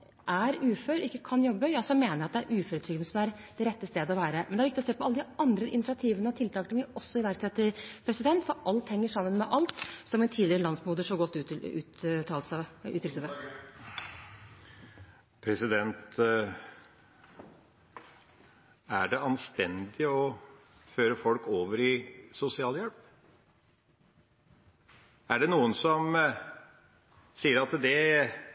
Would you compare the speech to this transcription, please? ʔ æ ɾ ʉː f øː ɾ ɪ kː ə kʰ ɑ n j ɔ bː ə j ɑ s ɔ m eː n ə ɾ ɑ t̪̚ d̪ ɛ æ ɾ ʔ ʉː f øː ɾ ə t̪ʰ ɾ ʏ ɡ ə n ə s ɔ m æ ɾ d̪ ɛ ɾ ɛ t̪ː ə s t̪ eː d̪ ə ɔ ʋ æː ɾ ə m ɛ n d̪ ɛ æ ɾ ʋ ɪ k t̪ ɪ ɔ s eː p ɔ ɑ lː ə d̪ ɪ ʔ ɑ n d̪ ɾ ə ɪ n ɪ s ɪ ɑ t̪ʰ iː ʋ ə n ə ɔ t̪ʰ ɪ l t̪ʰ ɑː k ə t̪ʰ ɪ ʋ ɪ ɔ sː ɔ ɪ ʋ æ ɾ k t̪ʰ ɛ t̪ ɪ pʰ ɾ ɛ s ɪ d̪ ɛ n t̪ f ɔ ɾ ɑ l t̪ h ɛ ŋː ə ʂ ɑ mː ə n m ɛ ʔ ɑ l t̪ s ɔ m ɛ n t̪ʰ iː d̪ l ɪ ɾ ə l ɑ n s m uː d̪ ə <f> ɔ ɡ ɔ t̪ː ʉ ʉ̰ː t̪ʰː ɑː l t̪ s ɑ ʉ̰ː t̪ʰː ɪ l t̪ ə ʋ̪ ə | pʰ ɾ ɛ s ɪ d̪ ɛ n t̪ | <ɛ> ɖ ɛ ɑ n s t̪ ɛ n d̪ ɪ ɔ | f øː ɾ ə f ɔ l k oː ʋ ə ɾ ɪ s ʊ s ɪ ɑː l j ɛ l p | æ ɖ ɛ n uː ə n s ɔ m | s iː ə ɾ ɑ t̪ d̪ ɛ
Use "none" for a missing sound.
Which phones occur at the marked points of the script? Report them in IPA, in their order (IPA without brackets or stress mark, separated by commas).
ʂ, æ